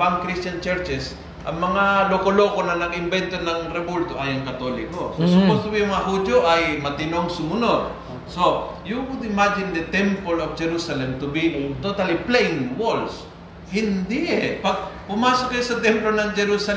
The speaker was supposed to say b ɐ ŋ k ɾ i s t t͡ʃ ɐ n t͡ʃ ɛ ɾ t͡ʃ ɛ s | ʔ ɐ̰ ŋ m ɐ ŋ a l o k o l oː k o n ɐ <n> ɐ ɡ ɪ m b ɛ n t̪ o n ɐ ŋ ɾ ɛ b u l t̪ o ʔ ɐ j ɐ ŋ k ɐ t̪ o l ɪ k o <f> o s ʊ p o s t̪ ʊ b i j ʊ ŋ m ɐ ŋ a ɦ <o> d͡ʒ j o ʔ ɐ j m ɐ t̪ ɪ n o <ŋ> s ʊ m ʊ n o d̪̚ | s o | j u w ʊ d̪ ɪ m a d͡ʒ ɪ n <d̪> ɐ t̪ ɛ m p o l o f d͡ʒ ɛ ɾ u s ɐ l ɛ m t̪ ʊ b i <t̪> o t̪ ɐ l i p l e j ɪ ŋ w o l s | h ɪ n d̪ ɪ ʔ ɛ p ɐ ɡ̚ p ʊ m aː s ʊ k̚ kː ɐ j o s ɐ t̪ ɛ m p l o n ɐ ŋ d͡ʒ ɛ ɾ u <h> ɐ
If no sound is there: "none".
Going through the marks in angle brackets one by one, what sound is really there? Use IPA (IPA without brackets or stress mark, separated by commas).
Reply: n, s, u, ŋ, d̪, t̪, s